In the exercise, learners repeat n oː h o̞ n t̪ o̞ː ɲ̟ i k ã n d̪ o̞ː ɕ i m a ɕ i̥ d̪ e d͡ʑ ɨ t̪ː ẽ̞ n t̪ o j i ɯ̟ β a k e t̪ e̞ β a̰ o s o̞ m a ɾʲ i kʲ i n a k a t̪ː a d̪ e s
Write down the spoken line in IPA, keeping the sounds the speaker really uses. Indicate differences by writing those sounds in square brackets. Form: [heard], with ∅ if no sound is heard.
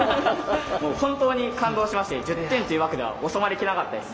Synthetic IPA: [m] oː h [õ̞] n t̪ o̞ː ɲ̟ i k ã n d̪ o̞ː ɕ i m a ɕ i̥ [t̪] e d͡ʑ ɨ t̪ː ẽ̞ n t̪ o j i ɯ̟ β a k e [d̪] e̞ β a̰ o s o̞ m a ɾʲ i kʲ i n a k a t̪ː a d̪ e s